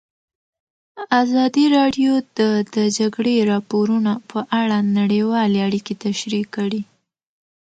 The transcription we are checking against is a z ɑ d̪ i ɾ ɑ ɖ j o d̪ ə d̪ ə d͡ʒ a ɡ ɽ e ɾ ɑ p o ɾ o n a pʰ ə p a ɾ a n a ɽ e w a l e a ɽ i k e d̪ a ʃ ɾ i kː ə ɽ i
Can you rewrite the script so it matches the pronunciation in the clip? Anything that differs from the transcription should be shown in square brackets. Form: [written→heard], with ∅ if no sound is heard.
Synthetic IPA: a z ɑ d̪ i ɾ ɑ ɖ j o d̪ ə d̪ ə d͡ʒ a ɡ ɽ e ɾ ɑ p o ɾ [o→u] n a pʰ ə [p→ʔ] a [ɾ→ɽ] a n a ɽ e w [a→ɑ] l e a ɽ i k e [d̪→t̪] a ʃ ɾ i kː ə ɽ i